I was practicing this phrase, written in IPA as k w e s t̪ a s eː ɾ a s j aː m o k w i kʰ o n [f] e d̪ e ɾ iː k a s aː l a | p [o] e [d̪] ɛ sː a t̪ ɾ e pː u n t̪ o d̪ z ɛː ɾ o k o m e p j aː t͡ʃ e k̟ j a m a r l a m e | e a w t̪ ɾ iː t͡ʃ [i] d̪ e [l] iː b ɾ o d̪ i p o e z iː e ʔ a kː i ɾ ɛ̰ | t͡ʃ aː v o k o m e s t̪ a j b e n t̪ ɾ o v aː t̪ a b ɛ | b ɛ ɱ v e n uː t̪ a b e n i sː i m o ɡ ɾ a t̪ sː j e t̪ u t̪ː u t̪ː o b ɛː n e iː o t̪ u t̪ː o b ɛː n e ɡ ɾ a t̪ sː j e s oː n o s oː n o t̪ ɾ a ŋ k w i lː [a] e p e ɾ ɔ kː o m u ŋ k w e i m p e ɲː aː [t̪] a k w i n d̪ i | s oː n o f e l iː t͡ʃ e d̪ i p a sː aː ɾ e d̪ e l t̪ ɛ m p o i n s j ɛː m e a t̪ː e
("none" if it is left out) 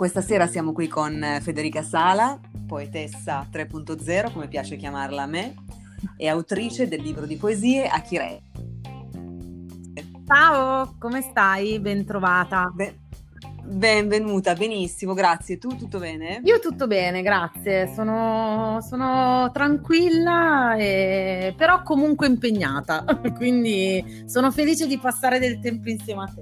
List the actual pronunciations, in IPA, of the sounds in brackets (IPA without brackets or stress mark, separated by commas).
f, o, t̪, e, lː, a, t̪